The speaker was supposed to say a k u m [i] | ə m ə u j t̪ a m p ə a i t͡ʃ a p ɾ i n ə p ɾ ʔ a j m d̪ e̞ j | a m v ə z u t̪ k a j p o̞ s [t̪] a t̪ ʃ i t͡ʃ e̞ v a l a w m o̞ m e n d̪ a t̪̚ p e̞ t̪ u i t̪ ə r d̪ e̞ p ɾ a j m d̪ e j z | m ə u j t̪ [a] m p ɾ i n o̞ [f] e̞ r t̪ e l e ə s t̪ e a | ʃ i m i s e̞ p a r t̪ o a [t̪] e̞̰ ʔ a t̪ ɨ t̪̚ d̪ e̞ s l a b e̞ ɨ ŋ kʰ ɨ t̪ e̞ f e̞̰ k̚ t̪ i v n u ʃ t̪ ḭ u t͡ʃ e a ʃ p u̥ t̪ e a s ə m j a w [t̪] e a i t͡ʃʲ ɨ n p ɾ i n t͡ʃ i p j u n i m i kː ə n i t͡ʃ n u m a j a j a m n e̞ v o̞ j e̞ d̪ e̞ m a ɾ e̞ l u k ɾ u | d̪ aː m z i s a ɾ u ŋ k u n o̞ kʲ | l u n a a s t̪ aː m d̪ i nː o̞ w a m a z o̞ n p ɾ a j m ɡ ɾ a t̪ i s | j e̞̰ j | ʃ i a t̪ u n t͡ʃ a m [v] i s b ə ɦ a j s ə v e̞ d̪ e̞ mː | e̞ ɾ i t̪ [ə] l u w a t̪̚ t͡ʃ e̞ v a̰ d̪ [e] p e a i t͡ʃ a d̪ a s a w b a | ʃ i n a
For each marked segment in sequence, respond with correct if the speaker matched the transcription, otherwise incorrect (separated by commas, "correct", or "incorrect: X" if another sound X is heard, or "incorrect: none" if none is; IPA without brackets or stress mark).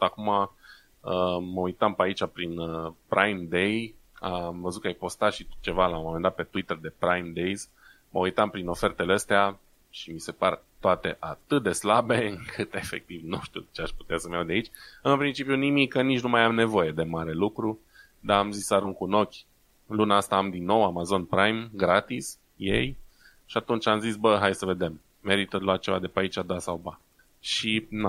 incorrect: a, correct, correct, correct, correct, incorrect: d̪, incorrect: z, correct, correct